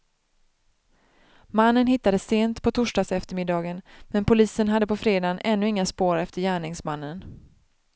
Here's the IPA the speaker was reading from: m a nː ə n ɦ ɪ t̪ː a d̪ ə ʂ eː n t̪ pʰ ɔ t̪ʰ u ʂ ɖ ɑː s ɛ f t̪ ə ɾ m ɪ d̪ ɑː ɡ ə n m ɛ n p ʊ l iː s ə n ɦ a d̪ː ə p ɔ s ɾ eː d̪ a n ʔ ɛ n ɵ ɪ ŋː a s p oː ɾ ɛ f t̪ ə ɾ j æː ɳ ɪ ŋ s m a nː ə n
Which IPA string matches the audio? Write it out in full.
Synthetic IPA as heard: m a nː ə n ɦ ɪ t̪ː a d̪ ə s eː n t̪ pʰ ɔ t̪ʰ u ʂ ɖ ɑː s ɛ f t̪ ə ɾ m ɪ d̪ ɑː ɡ ə n m ɛ n p ʊ l iː s ə n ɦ a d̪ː ə p ɔ f ɾ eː d̪ a n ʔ ɛ nː ɵ ɪ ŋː a s p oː ɾ ɛ f t̪ ə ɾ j æː ɳ ɪ ŋ s m a nː ə n